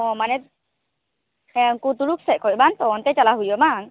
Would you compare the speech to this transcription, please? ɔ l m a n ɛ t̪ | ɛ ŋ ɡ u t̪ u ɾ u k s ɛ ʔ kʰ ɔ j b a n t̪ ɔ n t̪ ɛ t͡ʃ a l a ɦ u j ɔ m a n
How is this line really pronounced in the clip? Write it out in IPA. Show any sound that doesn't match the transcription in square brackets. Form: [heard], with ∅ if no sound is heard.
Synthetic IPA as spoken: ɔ [∅] m a n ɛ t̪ | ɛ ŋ [k] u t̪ u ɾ u k s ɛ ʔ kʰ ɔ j b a n t̪ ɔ n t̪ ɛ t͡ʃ a l a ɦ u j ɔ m a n

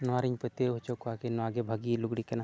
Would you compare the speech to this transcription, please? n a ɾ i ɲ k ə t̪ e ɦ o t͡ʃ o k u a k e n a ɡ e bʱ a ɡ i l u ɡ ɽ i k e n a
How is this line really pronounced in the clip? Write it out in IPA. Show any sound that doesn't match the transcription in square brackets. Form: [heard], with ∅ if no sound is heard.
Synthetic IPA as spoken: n a ɾ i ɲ [p] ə t̪ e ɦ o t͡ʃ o k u a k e n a ɡ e bʱ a ɡ i l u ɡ ɽ i k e n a

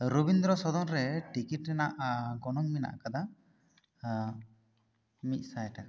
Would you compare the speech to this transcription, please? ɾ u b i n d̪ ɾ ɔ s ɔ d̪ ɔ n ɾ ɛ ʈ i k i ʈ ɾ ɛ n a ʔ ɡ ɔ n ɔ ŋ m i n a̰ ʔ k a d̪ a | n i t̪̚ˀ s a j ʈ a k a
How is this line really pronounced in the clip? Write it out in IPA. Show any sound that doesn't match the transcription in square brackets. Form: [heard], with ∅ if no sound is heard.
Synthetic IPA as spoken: ɾ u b i n d̪ ɾ ɔ s ɔ d̪ ɔ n ɾ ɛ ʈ i k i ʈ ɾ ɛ n a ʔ ɡ ɔ n ɔ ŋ m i n a̰ ʔ k a d̪ a | [m] i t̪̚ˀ s a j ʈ a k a

